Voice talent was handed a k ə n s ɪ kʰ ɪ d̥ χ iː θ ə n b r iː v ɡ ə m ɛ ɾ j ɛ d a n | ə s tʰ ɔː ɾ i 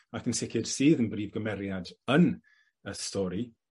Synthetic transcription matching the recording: a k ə n s ɪ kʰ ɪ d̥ s iː ð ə n b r iː v ɡ ə m ɛ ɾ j a d ə n | ə s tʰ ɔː ɾ i